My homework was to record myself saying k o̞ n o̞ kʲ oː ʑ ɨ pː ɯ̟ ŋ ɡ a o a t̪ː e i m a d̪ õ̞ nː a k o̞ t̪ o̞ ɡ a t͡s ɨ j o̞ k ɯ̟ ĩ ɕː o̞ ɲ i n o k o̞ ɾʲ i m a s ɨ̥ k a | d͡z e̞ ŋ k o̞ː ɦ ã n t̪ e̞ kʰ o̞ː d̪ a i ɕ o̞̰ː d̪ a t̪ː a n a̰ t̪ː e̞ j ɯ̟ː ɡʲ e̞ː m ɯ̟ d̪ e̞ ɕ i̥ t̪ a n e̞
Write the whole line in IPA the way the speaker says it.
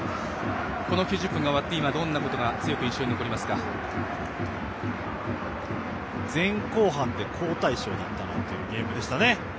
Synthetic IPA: k o̞ n o̞ kʲ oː ʑ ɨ pː ɯ̟ ŋ ɡ a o a t̪ː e i m a d̪ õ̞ nː a k o̞ t̪ o̞ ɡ a t͡s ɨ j o̞ k ɯ̟ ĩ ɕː o̞ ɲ i n o k o̞ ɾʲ i m a s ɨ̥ k a | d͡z ẽ̞ ŋ k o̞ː ɦ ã n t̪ e̞ kʰ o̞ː t̪ a i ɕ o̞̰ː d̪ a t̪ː a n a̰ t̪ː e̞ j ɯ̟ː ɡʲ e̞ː m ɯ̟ d̪ e̞ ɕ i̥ t̪ a n e̞